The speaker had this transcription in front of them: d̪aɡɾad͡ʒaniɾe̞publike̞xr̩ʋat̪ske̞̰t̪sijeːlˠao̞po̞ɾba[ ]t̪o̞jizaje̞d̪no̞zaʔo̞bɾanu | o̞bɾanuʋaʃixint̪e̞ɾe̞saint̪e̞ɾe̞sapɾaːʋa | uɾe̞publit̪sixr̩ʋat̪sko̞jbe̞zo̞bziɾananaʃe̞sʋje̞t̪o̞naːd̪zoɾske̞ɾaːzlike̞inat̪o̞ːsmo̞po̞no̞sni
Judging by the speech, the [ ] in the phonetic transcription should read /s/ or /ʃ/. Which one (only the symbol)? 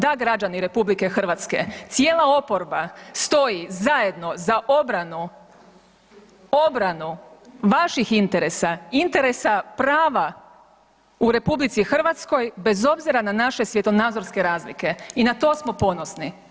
s